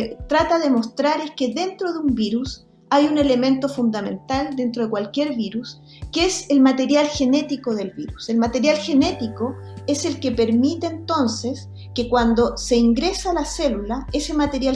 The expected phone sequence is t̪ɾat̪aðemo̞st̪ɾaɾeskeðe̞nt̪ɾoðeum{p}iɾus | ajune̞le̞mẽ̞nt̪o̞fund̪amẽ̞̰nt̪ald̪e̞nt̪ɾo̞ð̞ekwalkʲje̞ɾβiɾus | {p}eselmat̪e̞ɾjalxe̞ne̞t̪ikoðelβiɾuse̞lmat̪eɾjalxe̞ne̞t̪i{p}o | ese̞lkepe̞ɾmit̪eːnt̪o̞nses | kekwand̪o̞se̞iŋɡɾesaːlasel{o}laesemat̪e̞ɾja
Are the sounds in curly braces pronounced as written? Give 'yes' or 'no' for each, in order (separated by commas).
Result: no, no, no, no